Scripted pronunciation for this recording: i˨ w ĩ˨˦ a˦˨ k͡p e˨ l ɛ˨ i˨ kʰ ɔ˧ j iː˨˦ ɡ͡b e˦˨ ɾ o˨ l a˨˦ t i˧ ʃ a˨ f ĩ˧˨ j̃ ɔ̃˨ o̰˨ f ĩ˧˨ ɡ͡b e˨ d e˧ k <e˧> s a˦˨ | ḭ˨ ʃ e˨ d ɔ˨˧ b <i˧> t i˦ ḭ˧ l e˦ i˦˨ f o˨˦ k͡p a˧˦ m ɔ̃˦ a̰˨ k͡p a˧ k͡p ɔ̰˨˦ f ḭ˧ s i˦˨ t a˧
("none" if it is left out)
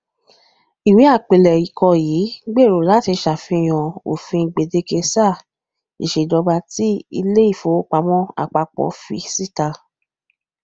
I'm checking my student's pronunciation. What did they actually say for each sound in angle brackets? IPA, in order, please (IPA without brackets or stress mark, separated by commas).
e˧, a˧